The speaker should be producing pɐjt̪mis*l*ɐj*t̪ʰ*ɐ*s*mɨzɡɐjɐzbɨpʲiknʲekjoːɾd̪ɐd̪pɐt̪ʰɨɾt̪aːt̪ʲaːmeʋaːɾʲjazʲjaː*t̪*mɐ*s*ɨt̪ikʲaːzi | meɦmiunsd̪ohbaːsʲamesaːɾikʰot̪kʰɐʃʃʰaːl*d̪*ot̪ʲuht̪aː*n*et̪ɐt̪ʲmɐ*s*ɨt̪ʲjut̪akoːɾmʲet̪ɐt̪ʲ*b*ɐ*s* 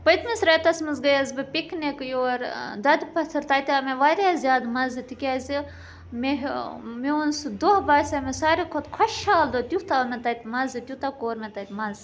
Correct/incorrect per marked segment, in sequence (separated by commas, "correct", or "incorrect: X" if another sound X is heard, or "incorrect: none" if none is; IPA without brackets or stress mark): incorrect: ɾ, incorrect: t̪, correct, incorrect: d̪, incorrect: z, correct, incorrect: m, incorrect: z, incorrect: m, incorrect: z